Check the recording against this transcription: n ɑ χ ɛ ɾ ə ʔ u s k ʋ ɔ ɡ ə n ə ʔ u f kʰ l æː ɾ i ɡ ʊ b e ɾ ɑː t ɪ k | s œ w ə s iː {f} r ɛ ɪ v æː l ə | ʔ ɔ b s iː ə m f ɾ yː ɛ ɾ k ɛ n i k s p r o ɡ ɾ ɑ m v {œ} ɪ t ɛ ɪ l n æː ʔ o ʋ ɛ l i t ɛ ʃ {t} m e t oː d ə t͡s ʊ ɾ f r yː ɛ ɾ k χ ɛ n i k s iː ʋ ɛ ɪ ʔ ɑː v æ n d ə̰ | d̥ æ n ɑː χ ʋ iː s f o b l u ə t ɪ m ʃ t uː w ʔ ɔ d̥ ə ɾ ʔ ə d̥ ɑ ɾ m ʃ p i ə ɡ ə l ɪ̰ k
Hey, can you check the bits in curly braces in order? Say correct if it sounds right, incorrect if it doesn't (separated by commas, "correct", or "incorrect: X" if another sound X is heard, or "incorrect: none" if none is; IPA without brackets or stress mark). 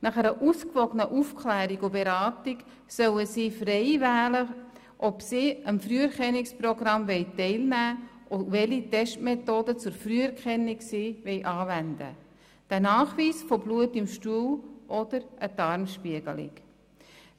correct, incorrect: ɛ, correct